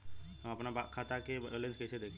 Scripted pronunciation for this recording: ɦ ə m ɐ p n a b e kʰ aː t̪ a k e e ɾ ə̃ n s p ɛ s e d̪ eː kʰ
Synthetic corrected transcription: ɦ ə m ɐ p n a b a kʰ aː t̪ a k e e l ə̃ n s k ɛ s e d̪ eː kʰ